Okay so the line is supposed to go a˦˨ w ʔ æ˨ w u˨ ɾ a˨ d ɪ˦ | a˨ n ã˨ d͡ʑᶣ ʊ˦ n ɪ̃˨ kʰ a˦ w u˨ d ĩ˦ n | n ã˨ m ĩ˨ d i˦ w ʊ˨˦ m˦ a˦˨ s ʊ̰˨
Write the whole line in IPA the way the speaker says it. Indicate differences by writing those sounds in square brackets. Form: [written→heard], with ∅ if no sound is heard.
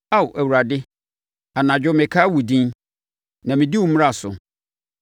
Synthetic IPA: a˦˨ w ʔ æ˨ w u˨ ɾ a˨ d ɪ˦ | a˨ n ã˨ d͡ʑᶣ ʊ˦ [n→m] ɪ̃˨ kʰ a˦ w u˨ d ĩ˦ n | n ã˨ m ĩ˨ d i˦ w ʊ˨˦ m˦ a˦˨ s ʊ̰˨

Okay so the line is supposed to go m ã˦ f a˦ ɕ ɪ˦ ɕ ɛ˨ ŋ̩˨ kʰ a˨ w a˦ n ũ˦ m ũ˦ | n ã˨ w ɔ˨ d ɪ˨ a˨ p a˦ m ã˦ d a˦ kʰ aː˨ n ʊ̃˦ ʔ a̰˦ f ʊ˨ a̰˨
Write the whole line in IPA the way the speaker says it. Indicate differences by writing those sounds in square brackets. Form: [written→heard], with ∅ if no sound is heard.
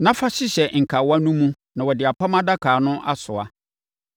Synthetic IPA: [m→n] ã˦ f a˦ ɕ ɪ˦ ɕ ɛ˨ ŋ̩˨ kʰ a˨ w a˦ n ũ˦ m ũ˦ | n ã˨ w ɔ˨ d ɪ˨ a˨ p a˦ m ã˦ d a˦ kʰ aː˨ n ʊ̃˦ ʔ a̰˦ [f→s] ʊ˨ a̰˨

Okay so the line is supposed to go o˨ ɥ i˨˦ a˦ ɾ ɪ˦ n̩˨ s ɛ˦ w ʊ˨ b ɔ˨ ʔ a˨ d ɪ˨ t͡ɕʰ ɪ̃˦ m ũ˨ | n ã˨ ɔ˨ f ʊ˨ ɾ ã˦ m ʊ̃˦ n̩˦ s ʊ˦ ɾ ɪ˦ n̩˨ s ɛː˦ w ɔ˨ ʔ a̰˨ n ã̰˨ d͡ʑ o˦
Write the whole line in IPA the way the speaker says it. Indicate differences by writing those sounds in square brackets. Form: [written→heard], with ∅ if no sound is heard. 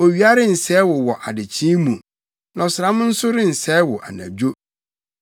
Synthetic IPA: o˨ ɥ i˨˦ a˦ ɾ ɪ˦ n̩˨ s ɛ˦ w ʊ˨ [b→w] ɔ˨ ʔ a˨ d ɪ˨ t͡ɕʰ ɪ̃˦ m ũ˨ | n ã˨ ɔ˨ [f→s] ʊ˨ ɾ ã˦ m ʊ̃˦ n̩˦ s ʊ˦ ɾ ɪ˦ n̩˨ s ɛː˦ w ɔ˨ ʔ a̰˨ n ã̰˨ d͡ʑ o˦

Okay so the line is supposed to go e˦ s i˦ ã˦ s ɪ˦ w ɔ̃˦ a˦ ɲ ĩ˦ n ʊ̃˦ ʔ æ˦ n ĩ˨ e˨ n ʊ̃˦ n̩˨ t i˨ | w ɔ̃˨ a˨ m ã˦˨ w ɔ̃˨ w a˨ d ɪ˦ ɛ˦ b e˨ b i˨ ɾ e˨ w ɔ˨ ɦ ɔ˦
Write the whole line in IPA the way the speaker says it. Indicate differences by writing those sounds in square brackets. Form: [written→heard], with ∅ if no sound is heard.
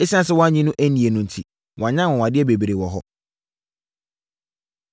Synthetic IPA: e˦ s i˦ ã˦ s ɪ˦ w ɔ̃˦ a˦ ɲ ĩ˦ n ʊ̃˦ ʔ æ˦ n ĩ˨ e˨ n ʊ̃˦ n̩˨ [t→tʰ] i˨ | w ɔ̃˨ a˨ [m→ɲ] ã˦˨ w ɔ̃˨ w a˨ d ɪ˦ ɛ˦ b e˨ b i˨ ɾ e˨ w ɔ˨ ɦ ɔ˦

